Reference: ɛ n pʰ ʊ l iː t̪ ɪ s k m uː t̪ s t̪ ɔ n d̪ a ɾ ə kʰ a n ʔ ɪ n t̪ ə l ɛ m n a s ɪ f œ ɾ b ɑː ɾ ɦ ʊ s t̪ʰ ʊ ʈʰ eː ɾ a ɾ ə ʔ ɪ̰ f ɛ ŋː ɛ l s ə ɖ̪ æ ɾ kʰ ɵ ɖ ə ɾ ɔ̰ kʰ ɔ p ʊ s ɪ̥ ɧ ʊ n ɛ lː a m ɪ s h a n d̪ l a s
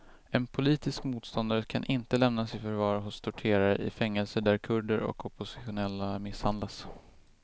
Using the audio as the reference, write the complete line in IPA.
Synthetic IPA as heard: ɛ n pʰ ʊ l iː t̪ ɪ s k m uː t̪ s t̪ ɔ n d̪ a ɾ ə kʰ a n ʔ ɪ n t̪ ə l ɛ m n a s ɪ f œ ɾ v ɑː ɾ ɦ ʊ s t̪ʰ ʊ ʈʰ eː ɾ a ɾ ə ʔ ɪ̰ f ɛ ŋː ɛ l s ə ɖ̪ æ ɾ kʰ ɵ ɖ ə ɾ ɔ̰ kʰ ɔ p ʊ s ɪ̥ ɧ ʊ n ɛ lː a m ɪ s h a n d̪ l a s